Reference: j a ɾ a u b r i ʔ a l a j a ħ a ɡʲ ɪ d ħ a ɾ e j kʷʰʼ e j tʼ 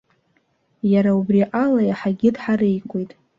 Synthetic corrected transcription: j a ɾ a u b r i ʔ a l a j a ħ a ɡʲ ɪ d ħ a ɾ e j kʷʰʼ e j tʼ

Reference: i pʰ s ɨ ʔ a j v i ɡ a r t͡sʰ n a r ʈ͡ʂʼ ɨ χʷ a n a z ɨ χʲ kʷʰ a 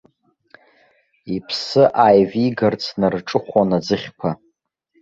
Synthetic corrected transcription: i pʰ s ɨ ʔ a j v i ɡ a r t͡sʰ n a r ʈ͡ʂʼ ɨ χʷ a n a d͡z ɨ χʲ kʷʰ a

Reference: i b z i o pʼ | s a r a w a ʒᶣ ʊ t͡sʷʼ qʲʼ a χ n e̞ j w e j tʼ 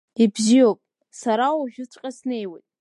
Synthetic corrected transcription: i b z i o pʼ | s a ɾ a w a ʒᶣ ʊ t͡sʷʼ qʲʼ a s n e̞ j w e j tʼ

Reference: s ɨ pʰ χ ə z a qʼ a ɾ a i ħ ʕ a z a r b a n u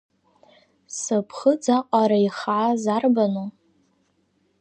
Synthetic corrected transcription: s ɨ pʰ χ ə d͡z a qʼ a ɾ a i χ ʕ a z a r b a n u

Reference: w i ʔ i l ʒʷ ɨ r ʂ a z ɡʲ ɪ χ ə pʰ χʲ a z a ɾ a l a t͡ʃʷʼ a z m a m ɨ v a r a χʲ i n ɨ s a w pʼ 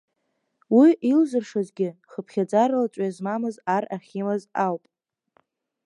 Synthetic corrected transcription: w i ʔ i l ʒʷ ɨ r ʂ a z ɡʲ ɪ χ ə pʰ χʲ a d͡z a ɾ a l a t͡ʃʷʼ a z m a m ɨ z a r a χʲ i m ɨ z a w pʼ

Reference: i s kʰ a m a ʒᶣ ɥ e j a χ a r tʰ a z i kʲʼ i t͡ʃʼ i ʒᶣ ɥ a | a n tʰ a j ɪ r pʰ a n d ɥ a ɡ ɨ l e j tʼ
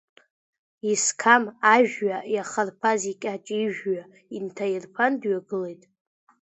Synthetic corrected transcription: i s kʰ a m a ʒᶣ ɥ a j a χ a r pʰ a z i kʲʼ a t͡ʃʼ i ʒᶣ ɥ a | i n tʰ a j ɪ r pʰ a n d ɥ a ɡ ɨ l e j tʼ

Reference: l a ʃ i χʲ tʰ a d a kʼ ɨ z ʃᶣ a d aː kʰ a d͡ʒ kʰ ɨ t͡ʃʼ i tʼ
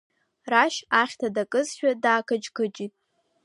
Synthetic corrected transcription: r a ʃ a χʲ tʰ a d a kʼ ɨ z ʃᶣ a d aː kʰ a d͡ʒ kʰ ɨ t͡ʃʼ i tʼ

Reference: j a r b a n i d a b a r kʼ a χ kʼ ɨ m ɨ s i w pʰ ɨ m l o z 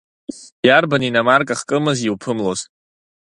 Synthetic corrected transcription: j a r b a n i n a m a r kʼ a χ kʼ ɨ m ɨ z i w pʰ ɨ m l o z

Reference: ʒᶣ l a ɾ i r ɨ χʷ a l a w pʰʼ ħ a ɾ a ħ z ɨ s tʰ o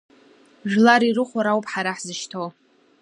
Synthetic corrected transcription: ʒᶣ l a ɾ i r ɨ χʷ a ɾ a w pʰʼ ħ a ɾ a ħ z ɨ ʃ tʰ o

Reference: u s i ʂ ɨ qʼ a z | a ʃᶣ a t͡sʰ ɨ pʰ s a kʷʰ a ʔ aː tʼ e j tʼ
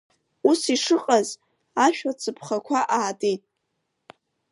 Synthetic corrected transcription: u s i ʂ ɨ qʼ a z | a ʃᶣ a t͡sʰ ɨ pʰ χ a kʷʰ a ʔ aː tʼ e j tʼ

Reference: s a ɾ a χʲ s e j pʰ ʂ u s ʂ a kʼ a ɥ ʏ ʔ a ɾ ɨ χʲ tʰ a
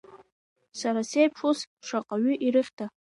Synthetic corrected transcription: s a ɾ a s e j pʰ ʂ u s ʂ a qʼ a ɥ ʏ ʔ i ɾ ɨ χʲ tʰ a

